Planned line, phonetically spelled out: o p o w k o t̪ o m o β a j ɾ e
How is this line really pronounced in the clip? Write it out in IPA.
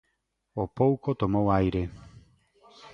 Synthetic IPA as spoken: o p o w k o t̪ o m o w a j ɾ e

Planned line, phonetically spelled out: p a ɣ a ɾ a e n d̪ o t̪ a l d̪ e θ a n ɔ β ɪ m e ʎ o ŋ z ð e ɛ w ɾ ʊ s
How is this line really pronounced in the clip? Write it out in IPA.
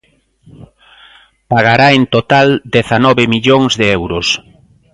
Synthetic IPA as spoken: p a ɣ a ɾ a e n t̪ o t̪ a l d̪ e θ a n ɔ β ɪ m i ʎ o ŋ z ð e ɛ w ɾ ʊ s

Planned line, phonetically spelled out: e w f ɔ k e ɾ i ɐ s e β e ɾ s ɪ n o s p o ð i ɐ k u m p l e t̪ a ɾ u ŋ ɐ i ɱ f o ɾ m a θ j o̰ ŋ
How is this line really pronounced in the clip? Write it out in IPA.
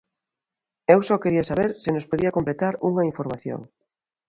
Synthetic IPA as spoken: e w s ɔ k e ɾ i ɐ s a β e ɾ s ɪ n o s p o ð i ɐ k o m p l e t̪ a ɾ u ŋ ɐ i ɱ f o ɾ m a θ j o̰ ŋ

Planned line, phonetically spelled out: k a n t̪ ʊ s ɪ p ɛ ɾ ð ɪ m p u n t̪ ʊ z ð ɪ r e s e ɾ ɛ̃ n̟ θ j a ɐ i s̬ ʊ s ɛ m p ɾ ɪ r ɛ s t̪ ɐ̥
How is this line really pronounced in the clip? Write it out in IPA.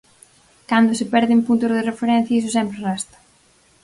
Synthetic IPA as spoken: k a n d̪ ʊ s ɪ p ɛ ɾ ð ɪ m p u n t̪ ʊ z ð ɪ r e f e ɾ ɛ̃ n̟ θ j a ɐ i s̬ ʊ s ɛ m p ɾ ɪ r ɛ s t̪ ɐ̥

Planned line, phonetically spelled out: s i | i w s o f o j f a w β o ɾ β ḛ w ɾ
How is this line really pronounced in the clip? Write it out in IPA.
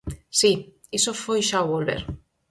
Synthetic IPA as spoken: s i | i s o f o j ʃ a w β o l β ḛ ɾ

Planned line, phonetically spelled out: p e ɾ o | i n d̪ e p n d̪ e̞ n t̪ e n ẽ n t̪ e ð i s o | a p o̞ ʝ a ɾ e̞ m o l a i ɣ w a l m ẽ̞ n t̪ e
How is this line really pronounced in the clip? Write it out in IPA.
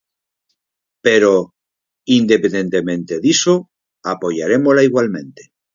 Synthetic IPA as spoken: p e ɾ o | i n d̪ e p n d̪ e̞ n t̪ e m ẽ n t̪ e ð i s o | a p o̞ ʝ a ɾ e̞ m o l a i ɣ w a l m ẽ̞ n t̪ e

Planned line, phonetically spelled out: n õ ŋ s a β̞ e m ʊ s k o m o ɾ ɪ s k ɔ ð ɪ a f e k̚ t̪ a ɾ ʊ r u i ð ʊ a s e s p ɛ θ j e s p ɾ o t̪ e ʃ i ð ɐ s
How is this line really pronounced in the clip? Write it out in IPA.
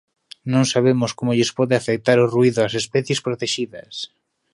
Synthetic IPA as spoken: n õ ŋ s a β̞ e m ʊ s k o m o ʎ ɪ s p ɔ ð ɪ a f e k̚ t̪ a ɾ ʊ r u i ð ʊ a s e s p ɛ θ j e s p ɾ o t̪ e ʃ i ð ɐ s

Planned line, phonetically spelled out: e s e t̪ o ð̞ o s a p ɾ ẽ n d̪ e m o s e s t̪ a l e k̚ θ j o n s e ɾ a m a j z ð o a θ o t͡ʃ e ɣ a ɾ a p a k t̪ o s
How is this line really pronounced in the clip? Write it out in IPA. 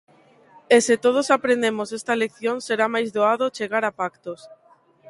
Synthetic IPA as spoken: e s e t̪ o ð̞ o s a p ɾ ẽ n d̪ e m o s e s t̪ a l e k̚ θ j o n s e ɾ a m a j z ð o a ð o t͡ʃ e ɣ a ɾ a p a k t̪ o s

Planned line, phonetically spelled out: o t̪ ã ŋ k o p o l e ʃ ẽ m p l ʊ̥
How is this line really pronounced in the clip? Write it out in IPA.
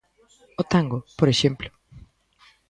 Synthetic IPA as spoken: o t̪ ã ŋ ɡ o p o ɾ e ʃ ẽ m p l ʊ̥

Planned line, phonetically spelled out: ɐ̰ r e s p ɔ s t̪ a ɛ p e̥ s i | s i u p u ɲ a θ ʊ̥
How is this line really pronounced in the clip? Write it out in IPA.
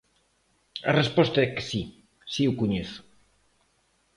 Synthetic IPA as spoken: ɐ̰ r e s p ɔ s t̪ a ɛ k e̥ s i | s i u k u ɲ e θ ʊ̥

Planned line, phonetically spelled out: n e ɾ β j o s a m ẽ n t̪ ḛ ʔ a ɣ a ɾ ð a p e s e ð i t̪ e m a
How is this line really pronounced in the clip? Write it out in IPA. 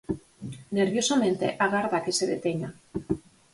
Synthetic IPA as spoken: n e ɾ β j o s a m ẽ n t̪ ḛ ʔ a ɣ a ɾ ð a k e s e ð e t̪ e ɲ a

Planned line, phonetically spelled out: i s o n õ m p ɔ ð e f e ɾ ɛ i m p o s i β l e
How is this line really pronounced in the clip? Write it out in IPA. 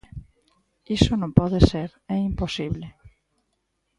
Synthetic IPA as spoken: i s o n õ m p ɔ ð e s e ɾ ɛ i m p o s i β l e

